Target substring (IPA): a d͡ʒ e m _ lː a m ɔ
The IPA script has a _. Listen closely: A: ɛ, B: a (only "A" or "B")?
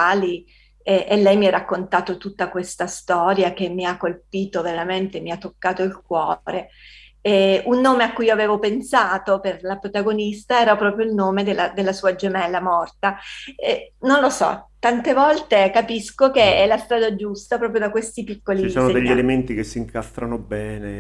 A